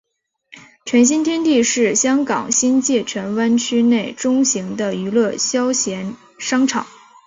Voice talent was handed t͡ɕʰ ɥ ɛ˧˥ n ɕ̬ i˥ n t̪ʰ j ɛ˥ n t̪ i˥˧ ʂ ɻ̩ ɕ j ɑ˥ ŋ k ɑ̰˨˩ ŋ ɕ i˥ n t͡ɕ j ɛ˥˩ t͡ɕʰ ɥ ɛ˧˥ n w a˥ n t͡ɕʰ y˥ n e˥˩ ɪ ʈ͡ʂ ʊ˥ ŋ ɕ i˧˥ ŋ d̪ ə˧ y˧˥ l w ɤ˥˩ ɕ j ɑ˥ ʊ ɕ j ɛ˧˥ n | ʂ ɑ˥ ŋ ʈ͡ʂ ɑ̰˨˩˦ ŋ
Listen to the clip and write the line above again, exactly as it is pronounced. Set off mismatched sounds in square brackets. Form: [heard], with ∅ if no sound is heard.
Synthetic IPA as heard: t͡ɕʰ ɥ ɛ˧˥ n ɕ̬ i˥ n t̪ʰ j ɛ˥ n t̪ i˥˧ ʂ ɻ̩ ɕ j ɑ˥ ŋ k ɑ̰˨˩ ŋ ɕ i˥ n t͡ɕ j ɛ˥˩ t͡ɕʰ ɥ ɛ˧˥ n w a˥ n t͡ɕʰ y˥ n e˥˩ ɪ ʈ͡ʂ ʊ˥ ŋ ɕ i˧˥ ŋ d̪ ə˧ y˧˥ l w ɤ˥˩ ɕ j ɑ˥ ʊ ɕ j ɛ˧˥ n | ʂ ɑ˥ ŋ [ʈ͡ʂʰ] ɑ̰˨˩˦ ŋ